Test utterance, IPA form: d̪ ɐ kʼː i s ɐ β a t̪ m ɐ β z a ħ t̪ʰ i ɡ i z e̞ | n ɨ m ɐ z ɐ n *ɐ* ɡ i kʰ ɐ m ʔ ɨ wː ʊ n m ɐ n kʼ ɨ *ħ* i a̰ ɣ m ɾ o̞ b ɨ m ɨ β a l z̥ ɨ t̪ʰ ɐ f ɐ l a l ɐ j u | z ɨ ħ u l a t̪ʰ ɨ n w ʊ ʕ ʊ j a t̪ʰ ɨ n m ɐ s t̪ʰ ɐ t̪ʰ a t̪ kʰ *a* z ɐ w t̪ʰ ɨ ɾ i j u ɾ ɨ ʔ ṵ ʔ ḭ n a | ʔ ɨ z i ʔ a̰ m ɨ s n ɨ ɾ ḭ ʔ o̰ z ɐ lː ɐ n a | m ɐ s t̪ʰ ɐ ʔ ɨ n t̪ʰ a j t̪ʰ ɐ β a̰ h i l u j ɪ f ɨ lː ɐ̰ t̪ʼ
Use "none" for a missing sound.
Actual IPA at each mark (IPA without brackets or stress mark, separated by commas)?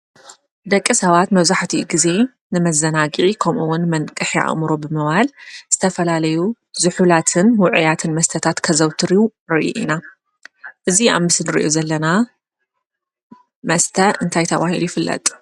a, ħ, ɐ